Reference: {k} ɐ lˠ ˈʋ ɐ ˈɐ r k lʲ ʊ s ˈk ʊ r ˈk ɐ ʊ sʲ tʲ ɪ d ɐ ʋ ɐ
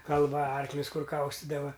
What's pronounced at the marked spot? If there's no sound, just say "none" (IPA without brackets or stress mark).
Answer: k